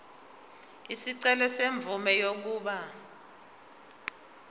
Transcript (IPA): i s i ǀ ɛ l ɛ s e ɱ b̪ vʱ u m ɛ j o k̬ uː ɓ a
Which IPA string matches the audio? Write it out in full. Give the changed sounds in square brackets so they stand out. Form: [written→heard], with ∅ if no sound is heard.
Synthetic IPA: i s i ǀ ɛ l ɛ s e ɱ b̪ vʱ u m ɛ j o k̬ uː ɓ a